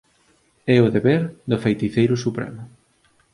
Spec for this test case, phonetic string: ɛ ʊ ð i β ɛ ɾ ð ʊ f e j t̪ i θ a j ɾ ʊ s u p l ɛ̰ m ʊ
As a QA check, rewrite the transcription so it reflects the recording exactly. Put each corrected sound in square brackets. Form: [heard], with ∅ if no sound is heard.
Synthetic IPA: ɛ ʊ ð [e] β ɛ ɾ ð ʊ f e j t̪ i θ [e] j ɾ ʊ s u p [ɾ] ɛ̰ m ʊ